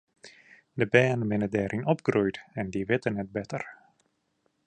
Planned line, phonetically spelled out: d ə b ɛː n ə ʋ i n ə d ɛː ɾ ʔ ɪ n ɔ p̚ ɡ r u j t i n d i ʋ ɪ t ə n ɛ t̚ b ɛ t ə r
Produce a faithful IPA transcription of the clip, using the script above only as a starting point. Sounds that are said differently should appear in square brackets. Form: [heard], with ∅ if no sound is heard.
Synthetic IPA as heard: d ə b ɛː n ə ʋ [ɪ] n ə d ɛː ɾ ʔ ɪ n ɔ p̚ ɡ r u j t [ɛ] n d i ʋ ɪ t ə n ɛ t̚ b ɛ t ə r

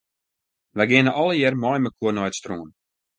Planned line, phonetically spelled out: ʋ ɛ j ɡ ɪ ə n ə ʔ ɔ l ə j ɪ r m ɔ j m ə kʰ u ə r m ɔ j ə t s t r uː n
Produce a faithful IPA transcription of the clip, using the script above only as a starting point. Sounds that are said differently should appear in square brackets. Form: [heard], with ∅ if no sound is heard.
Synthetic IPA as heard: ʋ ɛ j ɡ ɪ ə n ə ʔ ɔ l ə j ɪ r m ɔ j m ə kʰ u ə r [n] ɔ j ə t s t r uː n

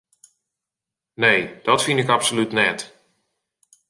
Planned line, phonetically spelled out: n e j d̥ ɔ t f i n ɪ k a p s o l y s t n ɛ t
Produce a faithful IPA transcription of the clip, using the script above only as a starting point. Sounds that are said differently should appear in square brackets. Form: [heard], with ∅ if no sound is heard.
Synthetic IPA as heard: n e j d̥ ɔ t f i n ɪ k a p s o l y [∅] t n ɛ t

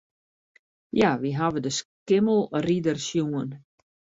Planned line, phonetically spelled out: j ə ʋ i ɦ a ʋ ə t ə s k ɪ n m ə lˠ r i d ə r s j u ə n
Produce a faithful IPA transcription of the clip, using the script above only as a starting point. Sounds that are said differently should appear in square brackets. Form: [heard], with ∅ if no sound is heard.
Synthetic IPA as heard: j [a] ʋ i ɦ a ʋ ə [d] ə s k ɪ [∅] m ə lˠ r i d ə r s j u ə n

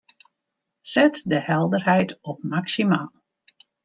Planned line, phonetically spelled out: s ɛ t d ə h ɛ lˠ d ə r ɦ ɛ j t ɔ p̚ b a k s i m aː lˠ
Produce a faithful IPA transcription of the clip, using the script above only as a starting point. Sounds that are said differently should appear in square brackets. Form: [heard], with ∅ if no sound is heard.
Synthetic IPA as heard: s ɛ t d ə h ɛ lˠ d ə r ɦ ɛ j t ɔ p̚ [m] a k s i m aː lˠ

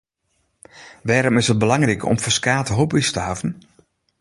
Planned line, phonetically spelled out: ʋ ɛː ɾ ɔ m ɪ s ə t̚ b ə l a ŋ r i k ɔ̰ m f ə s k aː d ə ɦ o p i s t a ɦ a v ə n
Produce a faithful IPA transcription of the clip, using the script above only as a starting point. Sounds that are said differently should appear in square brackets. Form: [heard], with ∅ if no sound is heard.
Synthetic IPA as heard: ʋ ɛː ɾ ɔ m ɪ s ə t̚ b ə l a ŋ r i k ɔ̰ m f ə s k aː [t] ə ɦ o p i s t [ə] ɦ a v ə n

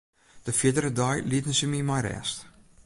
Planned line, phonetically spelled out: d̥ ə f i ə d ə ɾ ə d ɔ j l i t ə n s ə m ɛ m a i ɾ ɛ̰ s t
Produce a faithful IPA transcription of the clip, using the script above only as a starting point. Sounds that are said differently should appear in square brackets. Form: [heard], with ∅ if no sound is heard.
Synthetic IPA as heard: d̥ ə f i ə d ə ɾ ə d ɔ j l i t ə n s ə m [i] m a [j] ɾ ɛ̰ s t

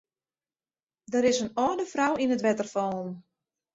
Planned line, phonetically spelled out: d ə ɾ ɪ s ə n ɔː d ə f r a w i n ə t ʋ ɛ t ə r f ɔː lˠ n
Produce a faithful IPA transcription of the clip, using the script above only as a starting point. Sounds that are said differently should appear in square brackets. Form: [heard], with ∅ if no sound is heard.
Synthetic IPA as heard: d ə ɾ ɪ s ə n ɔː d ə f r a w i n ə t ʋ ɛ t ə r f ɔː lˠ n

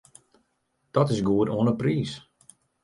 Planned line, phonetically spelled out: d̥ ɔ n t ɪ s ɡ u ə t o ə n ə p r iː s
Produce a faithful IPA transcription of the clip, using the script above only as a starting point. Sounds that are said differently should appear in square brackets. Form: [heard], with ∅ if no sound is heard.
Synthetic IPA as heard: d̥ ɔ [∅] t ɪ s ɡ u ə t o ə n ə p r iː s

